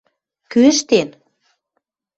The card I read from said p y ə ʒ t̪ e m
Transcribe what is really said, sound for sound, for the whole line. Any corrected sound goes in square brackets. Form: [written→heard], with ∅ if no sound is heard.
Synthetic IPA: [p→k] y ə [ʒ→ʃ] t̪ e [m→n]